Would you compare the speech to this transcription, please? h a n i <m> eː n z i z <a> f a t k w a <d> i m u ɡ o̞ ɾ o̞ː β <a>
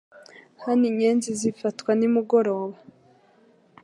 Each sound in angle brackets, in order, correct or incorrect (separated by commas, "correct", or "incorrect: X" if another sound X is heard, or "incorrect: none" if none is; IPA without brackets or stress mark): incorrect: ɲ, incorrect: i, incorrect: n, correct